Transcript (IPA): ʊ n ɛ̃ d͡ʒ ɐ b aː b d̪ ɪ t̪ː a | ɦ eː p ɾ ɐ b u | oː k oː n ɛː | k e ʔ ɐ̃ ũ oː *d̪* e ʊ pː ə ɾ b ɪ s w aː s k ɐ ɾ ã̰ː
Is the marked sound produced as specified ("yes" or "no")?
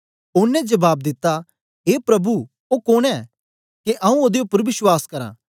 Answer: yes